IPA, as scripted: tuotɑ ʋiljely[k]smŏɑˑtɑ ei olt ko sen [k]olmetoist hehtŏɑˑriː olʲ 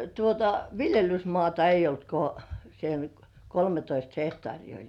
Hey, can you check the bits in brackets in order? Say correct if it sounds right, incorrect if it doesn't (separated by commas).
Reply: incorrect, correct